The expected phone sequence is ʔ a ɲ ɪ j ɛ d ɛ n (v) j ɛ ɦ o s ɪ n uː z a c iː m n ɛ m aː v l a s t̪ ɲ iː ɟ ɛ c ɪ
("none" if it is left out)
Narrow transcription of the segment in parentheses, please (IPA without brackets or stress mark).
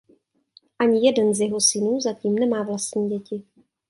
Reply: z